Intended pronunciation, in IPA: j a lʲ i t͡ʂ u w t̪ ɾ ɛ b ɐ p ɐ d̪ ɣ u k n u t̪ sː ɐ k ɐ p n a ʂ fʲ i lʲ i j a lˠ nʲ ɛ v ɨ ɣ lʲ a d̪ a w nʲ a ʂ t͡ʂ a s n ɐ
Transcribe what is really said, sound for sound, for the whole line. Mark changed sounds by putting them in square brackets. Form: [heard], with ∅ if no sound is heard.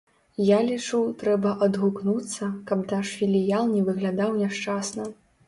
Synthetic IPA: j a lʲ i t͡ʂ u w t̪ ɾ ɛ b ɐ [ʔ] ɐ d̪ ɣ u k n u t̪ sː ɐ k ɐ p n a ʂ fʲ i lʲ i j a lˠ nʲ ɛ v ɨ ɣ lʲ a d̪ a w nʲ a ʂ t͡ʂ a s n ɐ